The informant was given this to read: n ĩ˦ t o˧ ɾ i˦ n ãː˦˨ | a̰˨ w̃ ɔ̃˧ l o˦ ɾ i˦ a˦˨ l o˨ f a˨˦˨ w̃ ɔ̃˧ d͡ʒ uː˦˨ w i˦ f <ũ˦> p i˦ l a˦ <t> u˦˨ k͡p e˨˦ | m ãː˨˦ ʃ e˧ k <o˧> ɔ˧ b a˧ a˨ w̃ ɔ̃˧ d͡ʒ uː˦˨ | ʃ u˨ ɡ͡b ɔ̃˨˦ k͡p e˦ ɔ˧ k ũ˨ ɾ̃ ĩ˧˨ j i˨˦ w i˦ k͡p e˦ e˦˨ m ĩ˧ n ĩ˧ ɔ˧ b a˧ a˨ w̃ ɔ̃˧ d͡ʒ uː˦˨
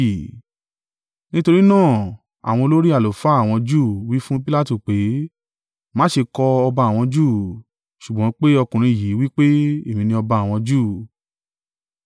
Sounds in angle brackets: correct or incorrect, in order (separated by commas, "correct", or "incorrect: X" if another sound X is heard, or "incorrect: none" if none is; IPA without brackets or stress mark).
correct, correct, incorrect: ɔ˧